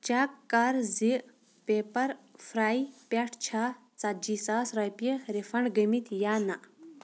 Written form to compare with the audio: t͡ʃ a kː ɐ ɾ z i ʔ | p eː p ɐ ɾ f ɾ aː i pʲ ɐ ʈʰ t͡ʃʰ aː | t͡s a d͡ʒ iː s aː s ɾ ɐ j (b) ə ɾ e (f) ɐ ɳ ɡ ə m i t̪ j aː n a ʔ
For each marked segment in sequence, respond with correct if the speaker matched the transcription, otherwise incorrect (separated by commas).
incorrect, correct